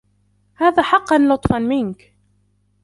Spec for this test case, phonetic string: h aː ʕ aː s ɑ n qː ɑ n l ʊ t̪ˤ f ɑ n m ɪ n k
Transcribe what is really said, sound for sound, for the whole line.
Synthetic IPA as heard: h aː ð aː ħ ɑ qː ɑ n l ʊ t̪ˤ f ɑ n m ɪ n k